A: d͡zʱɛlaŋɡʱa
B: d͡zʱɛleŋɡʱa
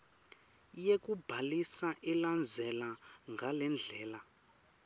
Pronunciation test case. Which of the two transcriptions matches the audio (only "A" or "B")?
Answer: A